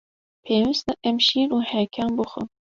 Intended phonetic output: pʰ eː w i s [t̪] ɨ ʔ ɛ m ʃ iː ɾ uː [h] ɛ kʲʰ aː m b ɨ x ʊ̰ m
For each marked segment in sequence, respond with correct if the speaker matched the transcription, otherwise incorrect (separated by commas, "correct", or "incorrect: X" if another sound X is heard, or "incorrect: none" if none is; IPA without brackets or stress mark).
correct, correct